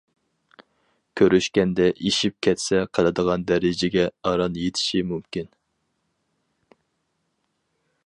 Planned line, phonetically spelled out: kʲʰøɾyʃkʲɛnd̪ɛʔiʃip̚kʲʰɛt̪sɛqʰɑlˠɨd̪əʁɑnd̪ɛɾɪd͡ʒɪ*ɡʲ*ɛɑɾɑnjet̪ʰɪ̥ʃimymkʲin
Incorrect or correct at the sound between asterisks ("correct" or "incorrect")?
correct